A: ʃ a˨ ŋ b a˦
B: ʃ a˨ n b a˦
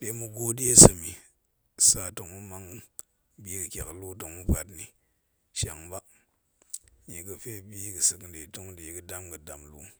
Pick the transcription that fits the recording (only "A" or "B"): A